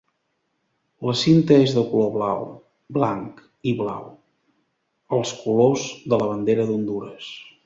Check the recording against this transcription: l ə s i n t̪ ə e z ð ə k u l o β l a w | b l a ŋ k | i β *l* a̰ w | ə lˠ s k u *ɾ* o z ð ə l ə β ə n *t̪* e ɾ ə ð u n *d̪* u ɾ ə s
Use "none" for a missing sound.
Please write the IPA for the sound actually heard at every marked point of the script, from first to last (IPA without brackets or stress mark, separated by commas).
l, l, d̪, d̪